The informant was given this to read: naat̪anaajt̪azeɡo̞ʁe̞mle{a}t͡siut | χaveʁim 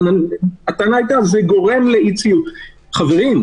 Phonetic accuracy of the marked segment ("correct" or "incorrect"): incorrect